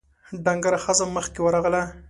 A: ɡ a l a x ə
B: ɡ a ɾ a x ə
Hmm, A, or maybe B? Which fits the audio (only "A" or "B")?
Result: B